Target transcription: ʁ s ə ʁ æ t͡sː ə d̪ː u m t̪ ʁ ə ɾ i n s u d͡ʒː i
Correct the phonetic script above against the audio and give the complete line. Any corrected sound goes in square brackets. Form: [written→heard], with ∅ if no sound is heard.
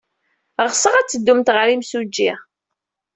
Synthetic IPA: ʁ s ə ʁ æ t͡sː ə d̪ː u m t̪ ʁ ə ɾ i [n→m] s u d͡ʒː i